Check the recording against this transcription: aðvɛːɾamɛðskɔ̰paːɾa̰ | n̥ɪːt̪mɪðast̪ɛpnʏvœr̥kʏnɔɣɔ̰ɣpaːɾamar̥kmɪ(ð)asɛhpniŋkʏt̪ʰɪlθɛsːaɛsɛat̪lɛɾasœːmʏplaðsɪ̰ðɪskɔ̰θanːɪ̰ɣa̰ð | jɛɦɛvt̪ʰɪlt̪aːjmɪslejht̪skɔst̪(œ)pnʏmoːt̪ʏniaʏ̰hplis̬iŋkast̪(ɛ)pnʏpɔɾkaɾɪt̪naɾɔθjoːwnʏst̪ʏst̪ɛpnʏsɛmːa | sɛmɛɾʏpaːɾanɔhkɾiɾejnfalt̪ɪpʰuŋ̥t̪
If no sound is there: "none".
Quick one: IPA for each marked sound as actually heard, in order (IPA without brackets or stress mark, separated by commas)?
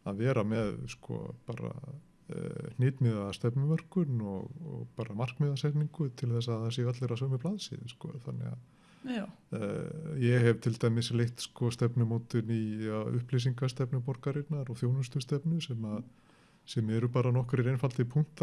ð, ɛ, ɛ